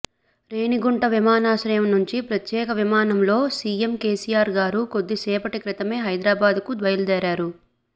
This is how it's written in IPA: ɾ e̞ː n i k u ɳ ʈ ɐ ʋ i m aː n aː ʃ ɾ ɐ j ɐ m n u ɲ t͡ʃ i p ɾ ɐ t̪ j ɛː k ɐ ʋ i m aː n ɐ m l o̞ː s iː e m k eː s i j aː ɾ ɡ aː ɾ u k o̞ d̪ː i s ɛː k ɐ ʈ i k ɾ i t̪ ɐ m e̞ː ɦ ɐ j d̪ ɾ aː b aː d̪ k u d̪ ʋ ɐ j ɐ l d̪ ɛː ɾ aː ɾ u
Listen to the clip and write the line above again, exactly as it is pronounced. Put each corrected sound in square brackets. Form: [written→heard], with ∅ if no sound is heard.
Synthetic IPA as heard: ɾ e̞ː n i [k→ɡ] u ɳ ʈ ɐ ʋ i m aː n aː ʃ ɾ ɐ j ɐ m n u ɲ t͡ʃ i p ɾ ɐ t̪ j ɛː k ɐ ʋ i m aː n ɐ m l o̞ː s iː e m k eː s i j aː ɾ ɡ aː ɾ u k o̞ d̪ː i s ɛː [k→p] ɐ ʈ i k ɾ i t̪ ɐ m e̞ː ɦ ɐ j d̪ ɾ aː b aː d̪ k u d̪ ʋ ɐ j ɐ l d̪ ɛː ɾ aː ɾ u